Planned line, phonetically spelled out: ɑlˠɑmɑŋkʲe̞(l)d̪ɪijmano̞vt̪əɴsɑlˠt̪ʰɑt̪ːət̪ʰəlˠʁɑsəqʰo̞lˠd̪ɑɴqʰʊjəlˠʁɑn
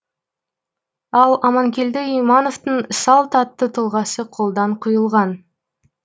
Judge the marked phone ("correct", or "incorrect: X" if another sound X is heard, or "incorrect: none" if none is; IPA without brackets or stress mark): correct